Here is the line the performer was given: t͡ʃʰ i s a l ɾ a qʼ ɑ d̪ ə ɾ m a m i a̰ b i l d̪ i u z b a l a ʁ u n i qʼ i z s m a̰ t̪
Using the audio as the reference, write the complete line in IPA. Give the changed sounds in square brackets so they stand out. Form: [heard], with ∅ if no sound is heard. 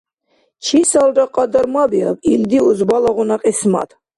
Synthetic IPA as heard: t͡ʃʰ i s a l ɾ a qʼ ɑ d̪ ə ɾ m a [b] i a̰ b i l d̪ i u z b a l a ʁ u n [a] qʼ i [∅] s m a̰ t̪